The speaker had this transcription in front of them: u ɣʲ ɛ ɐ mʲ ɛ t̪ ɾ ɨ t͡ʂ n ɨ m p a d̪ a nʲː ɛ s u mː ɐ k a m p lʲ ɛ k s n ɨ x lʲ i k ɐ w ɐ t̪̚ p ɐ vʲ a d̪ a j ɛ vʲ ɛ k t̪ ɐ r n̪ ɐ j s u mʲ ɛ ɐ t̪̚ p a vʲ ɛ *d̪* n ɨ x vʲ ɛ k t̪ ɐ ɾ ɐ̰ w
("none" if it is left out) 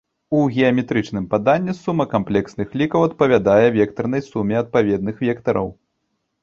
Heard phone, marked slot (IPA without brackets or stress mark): d̪